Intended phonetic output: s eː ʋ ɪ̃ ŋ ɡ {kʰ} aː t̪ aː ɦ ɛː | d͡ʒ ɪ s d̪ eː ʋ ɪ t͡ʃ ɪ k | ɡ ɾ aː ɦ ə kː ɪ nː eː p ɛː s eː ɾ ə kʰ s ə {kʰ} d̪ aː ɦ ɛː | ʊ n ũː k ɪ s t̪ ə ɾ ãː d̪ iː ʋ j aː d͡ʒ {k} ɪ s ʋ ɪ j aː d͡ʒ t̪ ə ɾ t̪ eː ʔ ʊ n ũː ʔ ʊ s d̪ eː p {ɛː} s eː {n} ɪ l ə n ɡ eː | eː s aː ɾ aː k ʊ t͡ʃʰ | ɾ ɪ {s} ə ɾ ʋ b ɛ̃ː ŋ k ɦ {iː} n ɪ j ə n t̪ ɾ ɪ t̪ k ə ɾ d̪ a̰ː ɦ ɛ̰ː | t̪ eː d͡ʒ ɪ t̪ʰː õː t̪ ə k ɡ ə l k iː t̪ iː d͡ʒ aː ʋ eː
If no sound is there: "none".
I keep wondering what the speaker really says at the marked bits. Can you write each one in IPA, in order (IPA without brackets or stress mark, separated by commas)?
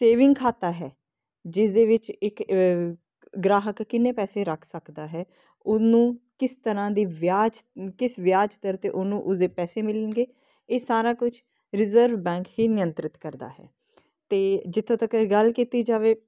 kʰ, k, k, ɛː, m, z, iː